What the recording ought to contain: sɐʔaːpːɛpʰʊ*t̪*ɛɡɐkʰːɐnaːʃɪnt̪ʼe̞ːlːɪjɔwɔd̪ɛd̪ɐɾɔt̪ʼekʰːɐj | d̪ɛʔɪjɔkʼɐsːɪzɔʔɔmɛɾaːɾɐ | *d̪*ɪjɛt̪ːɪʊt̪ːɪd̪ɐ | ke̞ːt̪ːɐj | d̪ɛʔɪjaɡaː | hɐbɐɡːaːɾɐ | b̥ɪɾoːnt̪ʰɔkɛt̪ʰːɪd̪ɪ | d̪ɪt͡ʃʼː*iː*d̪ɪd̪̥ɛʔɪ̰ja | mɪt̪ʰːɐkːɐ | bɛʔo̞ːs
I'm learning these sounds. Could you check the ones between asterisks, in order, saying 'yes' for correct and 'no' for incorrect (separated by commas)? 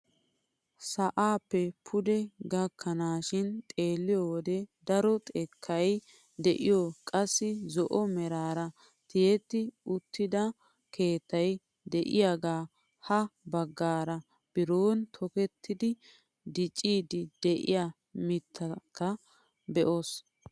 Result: no, no, yes